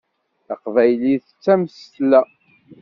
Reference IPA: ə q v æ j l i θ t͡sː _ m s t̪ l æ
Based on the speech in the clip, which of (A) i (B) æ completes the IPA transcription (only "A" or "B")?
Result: B